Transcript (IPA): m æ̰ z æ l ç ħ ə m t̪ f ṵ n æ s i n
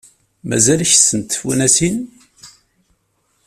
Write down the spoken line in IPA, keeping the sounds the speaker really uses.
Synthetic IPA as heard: m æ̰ z æ l ç s ə n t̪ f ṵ n æ s i n